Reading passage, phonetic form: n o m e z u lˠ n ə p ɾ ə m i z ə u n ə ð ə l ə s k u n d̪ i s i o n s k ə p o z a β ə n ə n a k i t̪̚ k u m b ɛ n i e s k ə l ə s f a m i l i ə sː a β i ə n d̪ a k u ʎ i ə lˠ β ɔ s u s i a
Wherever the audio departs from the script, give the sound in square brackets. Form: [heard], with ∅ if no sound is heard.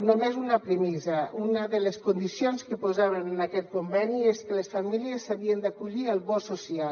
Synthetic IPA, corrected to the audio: n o m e z u [∅] n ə p ɾ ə m i z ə u n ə ð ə l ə s k u n d̪ i s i o n s k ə p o z a β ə n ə n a k [ɛ] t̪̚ k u m b ɛ n i e s k ə l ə s f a m i l i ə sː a β i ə n d̪ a k u ʎ i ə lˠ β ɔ s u s i a